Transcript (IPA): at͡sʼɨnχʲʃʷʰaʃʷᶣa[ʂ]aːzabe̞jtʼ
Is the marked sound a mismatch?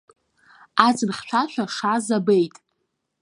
no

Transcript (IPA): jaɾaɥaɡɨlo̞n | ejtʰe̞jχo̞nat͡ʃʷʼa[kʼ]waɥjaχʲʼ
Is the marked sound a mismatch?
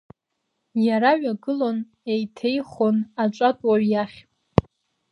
yes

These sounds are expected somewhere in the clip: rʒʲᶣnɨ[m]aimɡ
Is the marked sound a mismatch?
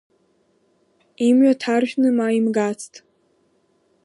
no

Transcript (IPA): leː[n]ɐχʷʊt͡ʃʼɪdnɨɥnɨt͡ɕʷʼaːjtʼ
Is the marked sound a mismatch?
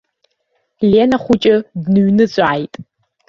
no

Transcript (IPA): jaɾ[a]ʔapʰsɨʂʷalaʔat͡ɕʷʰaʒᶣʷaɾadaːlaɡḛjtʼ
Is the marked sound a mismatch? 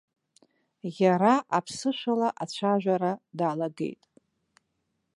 no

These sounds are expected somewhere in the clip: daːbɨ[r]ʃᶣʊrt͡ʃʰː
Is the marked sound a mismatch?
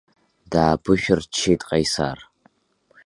yes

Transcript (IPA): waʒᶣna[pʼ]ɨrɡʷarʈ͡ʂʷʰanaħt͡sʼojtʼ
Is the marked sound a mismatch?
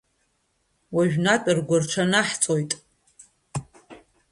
yes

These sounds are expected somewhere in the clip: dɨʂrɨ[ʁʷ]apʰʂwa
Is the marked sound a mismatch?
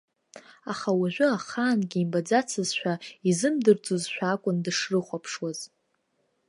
yes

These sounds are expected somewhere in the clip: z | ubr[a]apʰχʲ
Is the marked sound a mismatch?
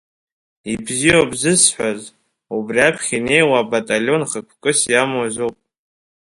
yes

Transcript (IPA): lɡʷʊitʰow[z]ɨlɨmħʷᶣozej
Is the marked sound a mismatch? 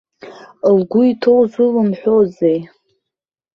no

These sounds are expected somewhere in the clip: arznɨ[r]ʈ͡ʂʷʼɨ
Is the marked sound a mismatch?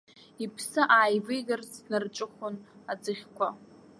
no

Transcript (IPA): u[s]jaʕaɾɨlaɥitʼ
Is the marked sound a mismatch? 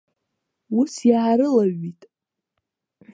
no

